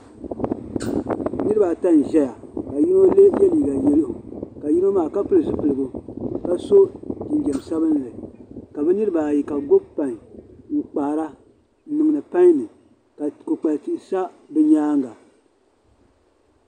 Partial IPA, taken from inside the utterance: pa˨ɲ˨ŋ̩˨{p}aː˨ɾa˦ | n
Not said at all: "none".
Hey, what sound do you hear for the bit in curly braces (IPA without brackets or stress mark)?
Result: k͡p